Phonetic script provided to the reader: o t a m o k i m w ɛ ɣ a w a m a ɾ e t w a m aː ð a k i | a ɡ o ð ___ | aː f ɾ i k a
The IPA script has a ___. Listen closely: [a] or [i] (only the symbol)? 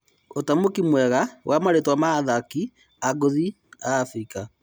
i